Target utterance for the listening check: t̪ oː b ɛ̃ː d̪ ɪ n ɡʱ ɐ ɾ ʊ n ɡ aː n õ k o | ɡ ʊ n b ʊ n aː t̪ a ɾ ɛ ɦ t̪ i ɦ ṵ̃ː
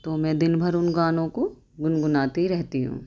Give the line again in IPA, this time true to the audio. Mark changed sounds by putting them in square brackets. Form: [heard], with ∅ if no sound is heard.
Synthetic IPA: t̪ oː [m] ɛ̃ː d̪ ɪ n [bʱ] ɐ ɾ ʊ n ɡ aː n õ k o | ɡ ʊ n [ɡ] ʊ n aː t̪ [i] ɾ ɛ ɦ t̪ i ɦ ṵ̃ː